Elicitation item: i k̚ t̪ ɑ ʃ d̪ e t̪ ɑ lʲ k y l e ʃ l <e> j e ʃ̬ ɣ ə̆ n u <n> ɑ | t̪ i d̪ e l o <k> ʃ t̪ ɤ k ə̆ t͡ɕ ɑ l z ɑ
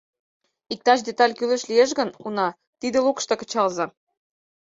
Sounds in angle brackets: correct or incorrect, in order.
incorrect, correct, correct

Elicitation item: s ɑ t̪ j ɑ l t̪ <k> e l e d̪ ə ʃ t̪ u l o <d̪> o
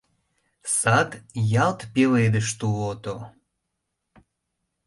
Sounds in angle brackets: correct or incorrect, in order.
incorrect, incorrect

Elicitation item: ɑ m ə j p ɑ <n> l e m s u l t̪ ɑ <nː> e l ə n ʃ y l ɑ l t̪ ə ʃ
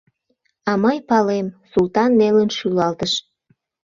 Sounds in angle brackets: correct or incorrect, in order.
incorrect, correct

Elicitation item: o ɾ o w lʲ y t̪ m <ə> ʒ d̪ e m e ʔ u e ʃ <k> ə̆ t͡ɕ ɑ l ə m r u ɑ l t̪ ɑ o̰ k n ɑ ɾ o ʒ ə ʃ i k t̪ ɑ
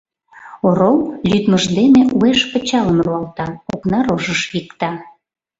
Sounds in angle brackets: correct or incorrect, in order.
correct, incorrect

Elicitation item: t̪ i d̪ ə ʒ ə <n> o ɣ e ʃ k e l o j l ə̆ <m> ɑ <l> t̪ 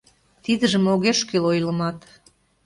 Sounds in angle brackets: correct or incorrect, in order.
incorrect, correct, incorrect

